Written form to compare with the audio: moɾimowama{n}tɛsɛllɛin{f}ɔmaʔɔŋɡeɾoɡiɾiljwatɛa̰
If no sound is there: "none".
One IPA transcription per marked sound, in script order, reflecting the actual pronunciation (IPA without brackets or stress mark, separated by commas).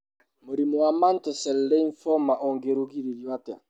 n, f